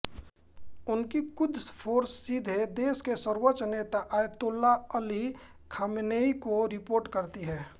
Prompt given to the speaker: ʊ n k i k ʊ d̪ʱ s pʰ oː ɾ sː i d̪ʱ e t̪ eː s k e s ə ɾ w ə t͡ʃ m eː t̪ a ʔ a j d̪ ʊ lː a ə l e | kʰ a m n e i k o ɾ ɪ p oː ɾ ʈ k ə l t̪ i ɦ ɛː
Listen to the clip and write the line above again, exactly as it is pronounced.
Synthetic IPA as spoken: ʊ n k i k ʊ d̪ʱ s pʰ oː ɾ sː i d̪ʱ e d̪ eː s k e s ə ɾ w ə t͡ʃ n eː t̪ a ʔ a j t̪ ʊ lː a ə l i | kʰ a m n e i k o ɾ ɪ p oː ɾ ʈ k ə ɾ t̪ i ɦ ɛː